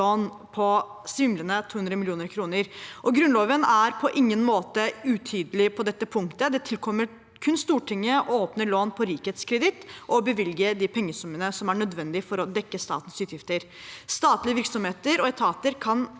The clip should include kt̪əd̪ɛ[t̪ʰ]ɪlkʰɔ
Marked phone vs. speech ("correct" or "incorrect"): correct